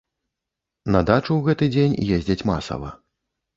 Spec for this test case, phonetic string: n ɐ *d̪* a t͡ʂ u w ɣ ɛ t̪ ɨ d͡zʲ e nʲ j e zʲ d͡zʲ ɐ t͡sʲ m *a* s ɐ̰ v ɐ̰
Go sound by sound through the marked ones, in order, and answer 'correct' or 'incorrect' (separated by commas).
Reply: correct, correct